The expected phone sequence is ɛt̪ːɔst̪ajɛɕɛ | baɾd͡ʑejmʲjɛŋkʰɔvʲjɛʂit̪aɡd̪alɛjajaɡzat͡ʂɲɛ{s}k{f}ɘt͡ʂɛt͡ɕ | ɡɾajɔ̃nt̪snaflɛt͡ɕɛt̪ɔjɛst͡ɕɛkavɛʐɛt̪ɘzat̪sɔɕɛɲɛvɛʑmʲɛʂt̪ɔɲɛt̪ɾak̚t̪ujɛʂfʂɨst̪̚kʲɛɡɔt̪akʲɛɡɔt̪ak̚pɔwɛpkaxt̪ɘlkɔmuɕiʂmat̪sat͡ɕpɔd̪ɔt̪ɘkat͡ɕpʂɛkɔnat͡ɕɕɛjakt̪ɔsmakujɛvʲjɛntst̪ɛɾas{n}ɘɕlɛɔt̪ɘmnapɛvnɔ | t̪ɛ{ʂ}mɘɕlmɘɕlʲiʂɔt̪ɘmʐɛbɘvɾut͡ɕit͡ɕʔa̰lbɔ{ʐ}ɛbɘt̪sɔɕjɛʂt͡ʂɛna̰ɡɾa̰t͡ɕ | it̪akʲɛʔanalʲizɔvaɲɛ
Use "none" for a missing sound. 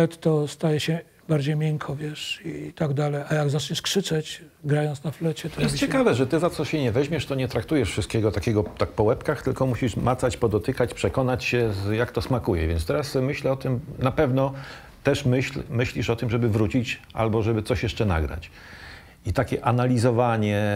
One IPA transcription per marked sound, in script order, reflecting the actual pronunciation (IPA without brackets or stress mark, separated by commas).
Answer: ʂ, ʂ, m, ʂ, ʐ